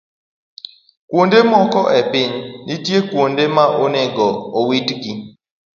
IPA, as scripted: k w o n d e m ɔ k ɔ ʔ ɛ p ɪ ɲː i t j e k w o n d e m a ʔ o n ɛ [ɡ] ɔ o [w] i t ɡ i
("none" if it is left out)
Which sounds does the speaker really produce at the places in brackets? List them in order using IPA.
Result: ɡ, w

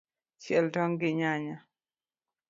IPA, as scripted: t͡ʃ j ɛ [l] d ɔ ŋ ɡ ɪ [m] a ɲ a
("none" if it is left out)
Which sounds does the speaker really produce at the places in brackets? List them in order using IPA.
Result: l, ɲ

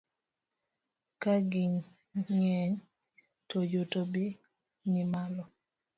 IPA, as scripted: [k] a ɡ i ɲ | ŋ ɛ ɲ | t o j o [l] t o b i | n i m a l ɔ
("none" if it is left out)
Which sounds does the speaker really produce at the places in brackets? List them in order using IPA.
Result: k, none

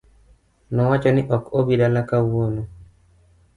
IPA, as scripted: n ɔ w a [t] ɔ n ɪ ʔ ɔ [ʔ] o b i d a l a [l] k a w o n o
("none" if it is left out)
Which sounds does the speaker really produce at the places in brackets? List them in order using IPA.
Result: t͡ʃ, k, none

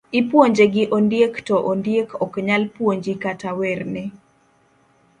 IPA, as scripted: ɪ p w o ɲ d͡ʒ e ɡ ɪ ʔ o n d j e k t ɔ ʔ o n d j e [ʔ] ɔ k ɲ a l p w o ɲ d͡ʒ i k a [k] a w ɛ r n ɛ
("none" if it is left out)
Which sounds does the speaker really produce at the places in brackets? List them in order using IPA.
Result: k, t

